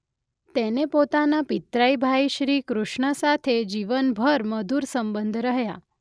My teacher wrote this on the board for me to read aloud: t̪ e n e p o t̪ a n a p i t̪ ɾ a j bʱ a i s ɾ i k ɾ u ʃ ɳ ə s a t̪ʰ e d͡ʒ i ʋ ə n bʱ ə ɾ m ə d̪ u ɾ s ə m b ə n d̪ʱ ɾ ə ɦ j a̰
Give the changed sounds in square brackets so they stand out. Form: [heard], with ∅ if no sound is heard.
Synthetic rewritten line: t̪ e n e p o t̪ a n a p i t̪ ɾ a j bʱ a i [ʃ] ɾ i k ɾ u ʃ ɳ ə s a t̪ʰ e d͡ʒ i ʋ ə n bʱ ə ɾ m ə d̪ u ɾ s ə m b ə n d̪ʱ ɾ ə ɦ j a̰